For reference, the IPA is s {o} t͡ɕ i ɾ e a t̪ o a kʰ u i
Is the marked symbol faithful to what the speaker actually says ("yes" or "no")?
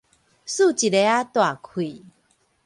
no